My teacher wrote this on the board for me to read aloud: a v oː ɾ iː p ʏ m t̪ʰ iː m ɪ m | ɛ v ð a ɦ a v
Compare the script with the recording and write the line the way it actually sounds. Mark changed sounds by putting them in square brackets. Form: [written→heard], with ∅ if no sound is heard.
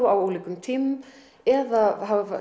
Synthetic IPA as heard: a [v→w] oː [ɾ→l] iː [p→k] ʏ m t̪ʰ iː m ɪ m | ɛ [v→∅] ð a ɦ a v

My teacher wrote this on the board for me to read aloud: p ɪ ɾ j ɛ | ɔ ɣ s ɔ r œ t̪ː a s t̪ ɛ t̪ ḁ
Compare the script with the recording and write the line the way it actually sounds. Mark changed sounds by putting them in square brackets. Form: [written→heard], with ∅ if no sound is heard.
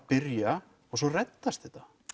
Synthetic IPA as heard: p ɪ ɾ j [ɛ→a] | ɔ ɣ s ɔ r [œ→ɛ] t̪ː a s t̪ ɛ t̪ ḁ

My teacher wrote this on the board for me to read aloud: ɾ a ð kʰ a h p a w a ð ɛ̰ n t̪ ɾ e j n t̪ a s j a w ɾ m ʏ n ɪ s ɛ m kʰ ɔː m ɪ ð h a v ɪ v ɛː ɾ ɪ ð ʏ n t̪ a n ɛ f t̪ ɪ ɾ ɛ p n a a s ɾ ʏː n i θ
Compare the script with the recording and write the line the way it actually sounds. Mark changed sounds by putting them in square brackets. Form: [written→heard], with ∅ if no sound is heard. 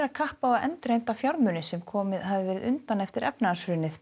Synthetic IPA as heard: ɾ a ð kʰ a h p a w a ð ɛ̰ n t̪ ɾ e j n t̪ a [s→f] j a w ɾ m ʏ n ɪ s ɛ m kʰ ɔː m ɪ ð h a v ɪ v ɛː ɾ ɪ ð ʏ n t̪ a n ɛ f t̪ ɪ ɾ ɛ p n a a s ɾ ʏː n [i→ɪ] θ

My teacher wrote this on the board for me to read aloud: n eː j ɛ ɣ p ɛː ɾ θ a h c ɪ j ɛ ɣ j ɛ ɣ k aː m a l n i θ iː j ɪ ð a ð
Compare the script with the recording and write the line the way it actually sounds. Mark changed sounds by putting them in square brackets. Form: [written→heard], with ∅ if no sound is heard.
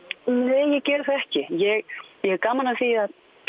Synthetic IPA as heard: n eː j ɛ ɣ [p→c] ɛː ɾ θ [a→ɛ] h c ɪ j ɛ ɣ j ɛ ɣ k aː m a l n [i→a] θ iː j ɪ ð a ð

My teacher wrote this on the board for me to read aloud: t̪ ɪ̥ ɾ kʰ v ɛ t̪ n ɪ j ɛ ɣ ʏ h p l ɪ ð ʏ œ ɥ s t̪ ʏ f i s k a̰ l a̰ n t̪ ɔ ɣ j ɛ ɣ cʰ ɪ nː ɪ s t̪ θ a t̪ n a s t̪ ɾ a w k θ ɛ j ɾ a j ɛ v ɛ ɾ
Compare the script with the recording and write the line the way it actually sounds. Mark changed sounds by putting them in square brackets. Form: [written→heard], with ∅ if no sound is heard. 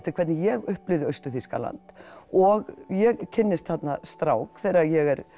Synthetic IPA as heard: t̪ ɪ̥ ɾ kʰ v ɛ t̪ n ɪ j ɛ ɣ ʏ h p l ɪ ð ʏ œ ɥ s t̪ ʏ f i s k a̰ l a̰ n t̪ ɔ ɣ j ɛ ɣ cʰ ɪ nː ɪ s t̪ θ a t̪ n a s t̪ ɾ a w k θ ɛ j ɾ a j ɛ [v→ɣ] ɛ ɾ

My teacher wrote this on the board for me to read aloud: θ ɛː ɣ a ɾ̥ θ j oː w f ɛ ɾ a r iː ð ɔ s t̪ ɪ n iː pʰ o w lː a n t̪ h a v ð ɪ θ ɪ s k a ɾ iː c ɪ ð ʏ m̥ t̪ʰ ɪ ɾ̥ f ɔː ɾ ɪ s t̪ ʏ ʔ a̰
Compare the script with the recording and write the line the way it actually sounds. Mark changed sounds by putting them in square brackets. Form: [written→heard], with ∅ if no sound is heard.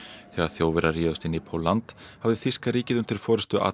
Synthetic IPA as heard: θ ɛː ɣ a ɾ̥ θ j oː w [f→v] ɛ ɾ a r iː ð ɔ s t̪ ɪ n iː pʰ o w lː a n t̪ h a v ð ɪ θ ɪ s k a ɾ iː c ɪ ð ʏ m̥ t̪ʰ ɪ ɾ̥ f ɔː ɾ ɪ s t̪ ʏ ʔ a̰

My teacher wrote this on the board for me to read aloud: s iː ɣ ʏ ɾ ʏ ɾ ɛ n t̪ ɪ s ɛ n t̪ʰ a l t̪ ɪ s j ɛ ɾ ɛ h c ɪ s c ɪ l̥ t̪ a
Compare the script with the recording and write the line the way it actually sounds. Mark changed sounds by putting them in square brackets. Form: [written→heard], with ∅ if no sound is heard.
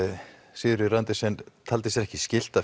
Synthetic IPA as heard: s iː [ɣ→ð] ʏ ɾ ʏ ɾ [ɛ→a] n t̪ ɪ s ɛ n t̪ʰ a l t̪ ɪ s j ɛ ɾ ɛ h c ɪ s c ɪ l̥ t̪ a

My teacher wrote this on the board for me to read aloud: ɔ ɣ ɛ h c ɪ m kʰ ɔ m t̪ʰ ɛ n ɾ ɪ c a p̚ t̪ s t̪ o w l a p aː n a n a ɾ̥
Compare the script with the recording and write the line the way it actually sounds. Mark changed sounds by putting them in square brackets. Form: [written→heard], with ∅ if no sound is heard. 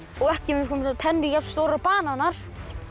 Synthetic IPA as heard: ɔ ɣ ɛ h c ɪ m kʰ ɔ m t̪ʰ ɛ n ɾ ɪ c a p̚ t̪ s t̪ o w [l→ɾ] a p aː n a n a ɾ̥

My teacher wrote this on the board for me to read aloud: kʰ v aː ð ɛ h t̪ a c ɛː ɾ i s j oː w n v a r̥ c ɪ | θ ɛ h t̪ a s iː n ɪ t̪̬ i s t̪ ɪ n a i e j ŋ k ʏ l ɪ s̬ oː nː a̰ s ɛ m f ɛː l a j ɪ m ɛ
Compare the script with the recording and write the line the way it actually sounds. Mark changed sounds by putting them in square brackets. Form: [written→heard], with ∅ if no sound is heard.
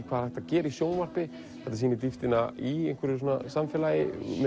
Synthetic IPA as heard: kʰ v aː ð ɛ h t̪ a c ɛː ɾ i s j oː w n v a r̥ [c→p] ɪ | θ ɛ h t̪ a s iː n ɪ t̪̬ i [s→f] t̪ ɪ n a i e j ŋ k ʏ [l→ɾ] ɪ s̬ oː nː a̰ s [ɛ→a] m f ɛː l a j ɪ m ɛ

